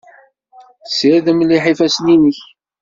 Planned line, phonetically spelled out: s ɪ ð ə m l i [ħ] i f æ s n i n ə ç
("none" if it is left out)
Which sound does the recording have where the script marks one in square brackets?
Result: ħ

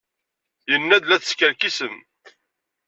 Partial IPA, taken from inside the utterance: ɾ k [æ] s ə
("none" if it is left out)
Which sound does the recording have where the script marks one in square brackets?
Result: i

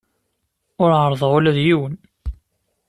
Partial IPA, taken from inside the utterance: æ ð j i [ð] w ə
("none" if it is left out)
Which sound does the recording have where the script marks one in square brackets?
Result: none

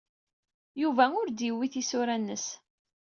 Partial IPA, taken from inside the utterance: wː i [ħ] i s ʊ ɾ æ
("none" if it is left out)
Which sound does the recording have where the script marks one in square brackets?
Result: θ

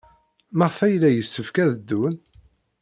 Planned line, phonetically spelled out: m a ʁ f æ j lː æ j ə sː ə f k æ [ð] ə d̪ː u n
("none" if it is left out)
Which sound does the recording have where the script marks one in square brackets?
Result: ð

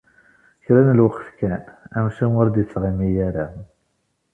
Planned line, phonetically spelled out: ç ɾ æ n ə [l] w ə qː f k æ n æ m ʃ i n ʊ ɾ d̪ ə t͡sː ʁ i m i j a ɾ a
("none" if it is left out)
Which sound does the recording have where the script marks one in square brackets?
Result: l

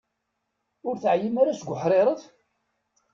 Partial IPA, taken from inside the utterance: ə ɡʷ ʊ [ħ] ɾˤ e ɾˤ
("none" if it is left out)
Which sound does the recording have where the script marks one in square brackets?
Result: ħ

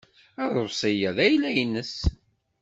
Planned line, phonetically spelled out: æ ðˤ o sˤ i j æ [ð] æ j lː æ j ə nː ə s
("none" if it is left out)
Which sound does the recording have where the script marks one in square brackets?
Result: ð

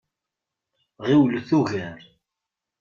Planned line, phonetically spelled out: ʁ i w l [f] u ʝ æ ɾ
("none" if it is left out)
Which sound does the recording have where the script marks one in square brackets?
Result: θ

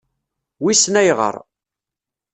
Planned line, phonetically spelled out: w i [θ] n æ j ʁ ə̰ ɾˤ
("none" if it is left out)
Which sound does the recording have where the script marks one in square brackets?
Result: s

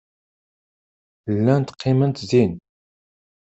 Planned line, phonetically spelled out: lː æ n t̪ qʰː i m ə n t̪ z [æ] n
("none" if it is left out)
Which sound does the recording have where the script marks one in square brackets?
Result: i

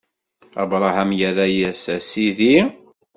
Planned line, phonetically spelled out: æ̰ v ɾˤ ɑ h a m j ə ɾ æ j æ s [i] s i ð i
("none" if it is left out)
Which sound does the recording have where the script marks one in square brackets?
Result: æ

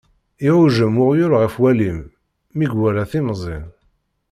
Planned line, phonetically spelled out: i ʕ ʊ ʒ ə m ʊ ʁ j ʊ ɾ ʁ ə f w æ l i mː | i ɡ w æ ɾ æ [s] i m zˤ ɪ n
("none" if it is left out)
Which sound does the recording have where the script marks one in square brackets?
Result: θ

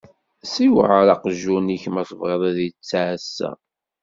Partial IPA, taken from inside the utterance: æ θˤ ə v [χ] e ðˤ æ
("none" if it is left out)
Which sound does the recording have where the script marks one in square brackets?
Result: ʁ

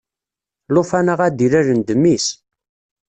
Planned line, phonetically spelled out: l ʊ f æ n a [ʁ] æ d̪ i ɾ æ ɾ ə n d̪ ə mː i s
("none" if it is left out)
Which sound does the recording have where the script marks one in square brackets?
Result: ʁ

